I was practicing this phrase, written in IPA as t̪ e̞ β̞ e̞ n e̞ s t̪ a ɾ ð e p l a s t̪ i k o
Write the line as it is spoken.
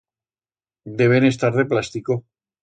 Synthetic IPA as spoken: d̪ e̞ β̞ e̞ n e̞ s t̪ a ɾ ð e p l a s t̪ i k o